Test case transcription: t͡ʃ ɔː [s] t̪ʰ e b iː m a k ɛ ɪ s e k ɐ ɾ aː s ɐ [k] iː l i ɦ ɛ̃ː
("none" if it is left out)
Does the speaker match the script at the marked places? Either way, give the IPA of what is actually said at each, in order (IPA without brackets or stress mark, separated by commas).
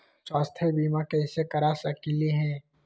s, k